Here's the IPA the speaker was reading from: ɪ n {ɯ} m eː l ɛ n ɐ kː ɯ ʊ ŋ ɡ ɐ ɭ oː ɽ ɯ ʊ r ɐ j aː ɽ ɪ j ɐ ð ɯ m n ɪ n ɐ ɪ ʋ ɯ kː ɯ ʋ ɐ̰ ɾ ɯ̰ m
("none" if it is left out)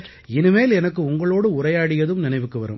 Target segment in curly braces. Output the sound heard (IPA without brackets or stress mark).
ɯ